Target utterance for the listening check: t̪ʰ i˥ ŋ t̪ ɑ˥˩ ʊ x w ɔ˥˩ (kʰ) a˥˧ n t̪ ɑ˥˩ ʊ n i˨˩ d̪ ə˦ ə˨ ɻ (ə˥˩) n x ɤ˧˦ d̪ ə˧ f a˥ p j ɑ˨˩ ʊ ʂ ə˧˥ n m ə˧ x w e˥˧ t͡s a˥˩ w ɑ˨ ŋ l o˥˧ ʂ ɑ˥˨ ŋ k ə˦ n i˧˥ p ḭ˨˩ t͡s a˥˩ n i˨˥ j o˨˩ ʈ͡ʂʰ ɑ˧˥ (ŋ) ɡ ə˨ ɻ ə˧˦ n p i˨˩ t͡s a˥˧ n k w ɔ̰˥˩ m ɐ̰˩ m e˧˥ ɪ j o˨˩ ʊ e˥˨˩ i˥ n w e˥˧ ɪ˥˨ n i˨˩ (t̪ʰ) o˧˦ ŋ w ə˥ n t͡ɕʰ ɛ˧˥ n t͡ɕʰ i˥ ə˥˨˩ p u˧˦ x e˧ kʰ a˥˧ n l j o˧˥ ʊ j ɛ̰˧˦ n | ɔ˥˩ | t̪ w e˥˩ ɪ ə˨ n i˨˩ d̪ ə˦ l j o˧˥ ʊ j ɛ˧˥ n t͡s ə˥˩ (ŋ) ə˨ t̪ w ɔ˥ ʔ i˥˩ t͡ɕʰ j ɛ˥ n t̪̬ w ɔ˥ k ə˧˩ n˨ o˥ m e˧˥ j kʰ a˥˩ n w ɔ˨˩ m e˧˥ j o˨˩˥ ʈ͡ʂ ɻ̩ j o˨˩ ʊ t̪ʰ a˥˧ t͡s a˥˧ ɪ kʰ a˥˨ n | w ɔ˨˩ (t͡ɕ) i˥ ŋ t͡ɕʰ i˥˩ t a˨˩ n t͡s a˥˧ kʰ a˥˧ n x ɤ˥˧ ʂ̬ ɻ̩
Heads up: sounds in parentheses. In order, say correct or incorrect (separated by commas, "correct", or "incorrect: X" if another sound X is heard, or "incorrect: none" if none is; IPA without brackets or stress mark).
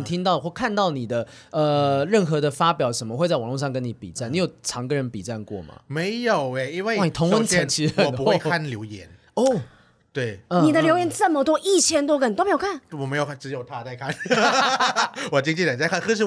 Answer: correct, correct, correct, correct, incorrect: m, correct